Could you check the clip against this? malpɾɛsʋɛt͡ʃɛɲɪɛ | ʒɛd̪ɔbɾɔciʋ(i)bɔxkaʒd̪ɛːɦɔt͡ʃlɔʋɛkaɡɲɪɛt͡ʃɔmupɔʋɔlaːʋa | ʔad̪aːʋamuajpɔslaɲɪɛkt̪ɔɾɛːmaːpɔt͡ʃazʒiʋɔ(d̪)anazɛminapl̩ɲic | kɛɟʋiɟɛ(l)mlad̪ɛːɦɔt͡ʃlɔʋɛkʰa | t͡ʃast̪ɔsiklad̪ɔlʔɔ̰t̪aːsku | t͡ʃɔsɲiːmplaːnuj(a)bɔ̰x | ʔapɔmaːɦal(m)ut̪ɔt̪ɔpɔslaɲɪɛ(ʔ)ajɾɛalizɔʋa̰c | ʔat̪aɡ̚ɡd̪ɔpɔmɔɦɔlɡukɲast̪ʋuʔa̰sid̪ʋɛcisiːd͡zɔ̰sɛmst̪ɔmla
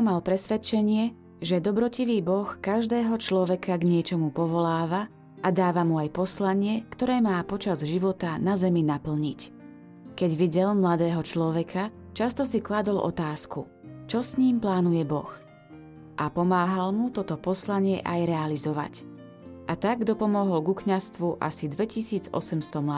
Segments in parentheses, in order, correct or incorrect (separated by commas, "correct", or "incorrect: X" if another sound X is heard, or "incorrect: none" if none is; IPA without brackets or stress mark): incorrect: iː, incorrect: t̪, correct, incorrect: ɛ, correct, correct